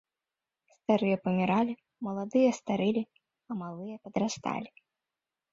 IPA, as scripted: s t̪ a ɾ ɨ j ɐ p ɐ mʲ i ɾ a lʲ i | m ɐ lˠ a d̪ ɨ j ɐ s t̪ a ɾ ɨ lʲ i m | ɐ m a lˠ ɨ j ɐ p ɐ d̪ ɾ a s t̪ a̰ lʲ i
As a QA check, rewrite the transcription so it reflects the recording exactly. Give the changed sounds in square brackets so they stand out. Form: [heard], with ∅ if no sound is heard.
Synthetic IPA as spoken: s t̪ a ɾ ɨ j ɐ p ɐ mʲ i ɾ a lʲ i | m ɐ lˠ a d̪ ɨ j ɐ s t̪ a ɾ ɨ lʲ i [∅] | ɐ m a lˠ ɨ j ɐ p ɐ d̪ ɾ a s t̪ a̰ lʲ i